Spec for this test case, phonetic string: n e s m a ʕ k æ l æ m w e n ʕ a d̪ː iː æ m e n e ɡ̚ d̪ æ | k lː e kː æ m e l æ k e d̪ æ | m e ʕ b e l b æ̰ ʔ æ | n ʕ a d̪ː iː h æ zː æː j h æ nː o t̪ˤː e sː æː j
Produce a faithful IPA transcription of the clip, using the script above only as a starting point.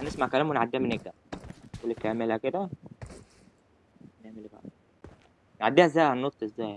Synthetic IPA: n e s m a ʕ k æ l æ m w e n ʕ a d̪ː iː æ m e n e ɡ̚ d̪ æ | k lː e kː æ m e l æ k e d̪ æ | n e ʕ m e l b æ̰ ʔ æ | n ʕ a d̪ː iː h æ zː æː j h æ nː o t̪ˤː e zː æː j